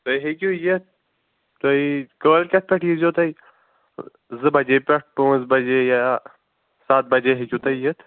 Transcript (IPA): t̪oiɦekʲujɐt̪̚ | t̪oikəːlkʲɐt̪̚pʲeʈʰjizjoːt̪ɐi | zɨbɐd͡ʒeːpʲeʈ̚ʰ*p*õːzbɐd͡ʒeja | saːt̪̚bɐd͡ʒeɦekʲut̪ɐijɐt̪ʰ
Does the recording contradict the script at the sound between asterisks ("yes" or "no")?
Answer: no